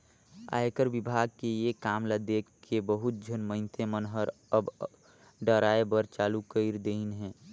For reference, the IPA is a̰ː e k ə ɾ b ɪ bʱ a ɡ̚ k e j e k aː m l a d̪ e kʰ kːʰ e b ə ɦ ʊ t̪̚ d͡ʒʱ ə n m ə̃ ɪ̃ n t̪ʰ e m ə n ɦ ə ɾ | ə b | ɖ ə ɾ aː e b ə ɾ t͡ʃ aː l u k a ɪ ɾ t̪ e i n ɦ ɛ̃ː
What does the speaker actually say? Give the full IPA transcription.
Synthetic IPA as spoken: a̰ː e k ə ɾ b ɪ bʱ a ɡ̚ k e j e k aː m l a d̪ e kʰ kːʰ e b ə ɦ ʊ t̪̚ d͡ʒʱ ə n m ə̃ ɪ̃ n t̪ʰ e m ə n ɦ ə ɾ | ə b | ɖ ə ɾ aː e b ə ɾ t͡ʃ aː l u k ə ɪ ɾ d̪ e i n ɦ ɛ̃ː